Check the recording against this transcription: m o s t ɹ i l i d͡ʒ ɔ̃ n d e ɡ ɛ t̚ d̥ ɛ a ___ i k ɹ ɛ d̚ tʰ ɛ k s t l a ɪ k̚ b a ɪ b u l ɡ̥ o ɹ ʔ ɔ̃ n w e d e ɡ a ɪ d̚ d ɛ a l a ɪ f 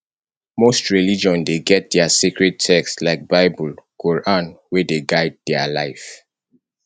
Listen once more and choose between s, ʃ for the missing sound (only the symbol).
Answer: s